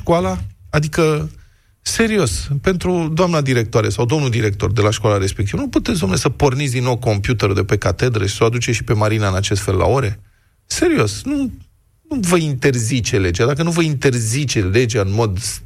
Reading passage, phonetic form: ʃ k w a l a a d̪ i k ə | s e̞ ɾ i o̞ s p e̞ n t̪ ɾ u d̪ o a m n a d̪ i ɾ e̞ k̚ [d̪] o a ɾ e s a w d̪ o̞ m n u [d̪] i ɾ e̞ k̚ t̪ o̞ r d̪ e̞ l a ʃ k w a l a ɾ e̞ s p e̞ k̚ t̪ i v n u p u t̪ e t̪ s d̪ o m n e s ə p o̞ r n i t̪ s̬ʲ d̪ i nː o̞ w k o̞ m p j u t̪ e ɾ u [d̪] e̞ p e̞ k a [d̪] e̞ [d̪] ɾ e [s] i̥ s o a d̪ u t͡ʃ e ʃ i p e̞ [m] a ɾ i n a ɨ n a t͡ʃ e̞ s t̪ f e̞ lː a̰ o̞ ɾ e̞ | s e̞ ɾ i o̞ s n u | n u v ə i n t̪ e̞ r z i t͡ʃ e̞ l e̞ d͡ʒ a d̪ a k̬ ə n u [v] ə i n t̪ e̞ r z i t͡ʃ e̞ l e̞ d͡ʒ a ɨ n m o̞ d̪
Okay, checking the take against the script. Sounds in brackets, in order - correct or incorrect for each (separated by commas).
incorrect, correct, correct, incorrect, correct, incorrect, correct, correct